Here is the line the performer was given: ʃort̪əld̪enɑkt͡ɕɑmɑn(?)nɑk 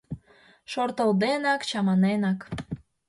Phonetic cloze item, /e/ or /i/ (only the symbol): e